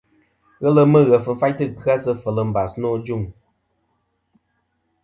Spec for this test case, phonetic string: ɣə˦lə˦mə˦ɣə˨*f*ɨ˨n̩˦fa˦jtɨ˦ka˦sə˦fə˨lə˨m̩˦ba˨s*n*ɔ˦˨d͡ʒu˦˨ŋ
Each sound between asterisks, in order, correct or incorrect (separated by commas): correct, correct